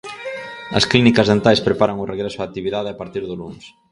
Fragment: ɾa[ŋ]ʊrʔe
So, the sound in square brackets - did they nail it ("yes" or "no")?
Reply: yes